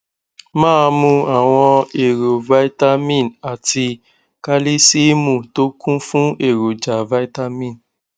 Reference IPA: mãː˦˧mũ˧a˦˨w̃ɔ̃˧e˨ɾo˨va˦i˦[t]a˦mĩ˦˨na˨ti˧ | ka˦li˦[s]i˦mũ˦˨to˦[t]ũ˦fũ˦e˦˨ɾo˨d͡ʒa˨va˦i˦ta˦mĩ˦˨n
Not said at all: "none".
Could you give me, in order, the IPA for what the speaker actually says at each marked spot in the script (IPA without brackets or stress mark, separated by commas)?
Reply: t, s, k